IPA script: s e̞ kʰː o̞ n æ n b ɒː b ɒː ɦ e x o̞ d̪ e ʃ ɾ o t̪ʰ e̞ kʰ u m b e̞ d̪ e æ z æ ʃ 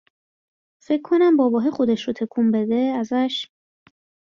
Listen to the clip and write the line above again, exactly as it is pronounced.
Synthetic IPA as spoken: f e̞ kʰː o̞ n æ m b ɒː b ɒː ɦ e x o̞ d̪ e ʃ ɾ o t̪ʰ e̞ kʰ u m b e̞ d̪ e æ z æ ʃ